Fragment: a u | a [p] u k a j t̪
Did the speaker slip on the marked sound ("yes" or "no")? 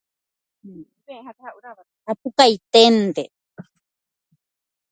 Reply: no